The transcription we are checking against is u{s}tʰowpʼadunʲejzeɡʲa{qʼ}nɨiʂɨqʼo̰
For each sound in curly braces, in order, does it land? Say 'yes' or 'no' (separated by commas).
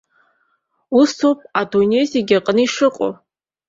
yes, yes